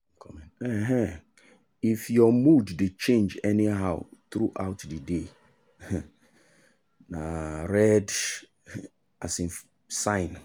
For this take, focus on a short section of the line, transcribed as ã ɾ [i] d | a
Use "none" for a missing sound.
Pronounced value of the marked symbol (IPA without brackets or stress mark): ɛ